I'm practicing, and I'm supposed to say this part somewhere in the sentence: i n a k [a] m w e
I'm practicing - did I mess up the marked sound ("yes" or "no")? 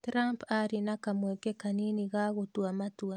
no